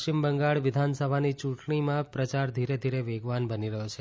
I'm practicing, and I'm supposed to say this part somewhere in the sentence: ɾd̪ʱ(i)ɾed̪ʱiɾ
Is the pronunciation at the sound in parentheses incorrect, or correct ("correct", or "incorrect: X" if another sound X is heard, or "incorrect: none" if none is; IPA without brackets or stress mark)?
correct